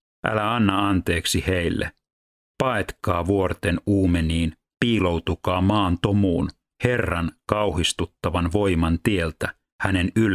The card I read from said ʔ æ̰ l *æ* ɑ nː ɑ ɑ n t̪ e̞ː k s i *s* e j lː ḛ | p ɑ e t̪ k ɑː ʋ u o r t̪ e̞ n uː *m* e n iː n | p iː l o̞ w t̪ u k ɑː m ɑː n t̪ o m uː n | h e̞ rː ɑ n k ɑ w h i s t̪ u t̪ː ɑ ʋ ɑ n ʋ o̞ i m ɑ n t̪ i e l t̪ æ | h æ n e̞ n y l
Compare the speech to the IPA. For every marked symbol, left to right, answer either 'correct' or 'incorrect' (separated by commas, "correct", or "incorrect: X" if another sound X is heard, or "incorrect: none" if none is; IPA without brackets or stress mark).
correct, incorrect: h, correct